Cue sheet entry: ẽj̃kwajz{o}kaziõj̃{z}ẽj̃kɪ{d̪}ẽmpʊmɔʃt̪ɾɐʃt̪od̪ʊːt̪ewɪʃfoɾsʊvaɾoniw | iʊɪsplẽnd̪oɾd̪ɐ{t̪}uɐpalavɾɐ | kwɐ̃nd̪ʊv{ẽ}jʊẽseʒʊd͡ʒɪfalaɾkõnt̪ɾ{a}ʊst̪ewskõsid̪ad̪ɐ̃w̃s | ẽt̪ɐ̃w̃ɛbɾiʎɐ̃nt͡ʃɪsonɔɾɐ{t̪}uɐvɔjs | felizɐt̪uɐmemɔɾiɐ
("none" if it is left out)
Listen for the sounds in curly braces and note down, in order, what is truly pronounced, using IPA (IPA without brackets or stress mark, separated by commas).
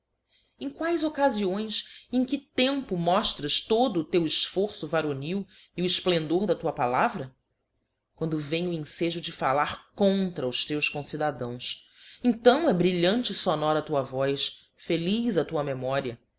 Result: o, s, t̪, t̪, ẽ, ɐ, t̪